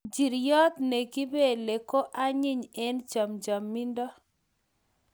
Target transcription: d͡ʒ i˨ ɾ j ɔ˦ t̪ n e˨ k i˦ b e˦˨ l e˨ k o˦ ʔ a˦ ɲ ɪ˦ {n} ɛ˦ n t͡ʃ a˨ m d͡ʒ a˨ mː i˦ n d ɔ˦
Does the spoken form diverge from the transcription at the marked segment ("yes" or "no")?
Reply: yes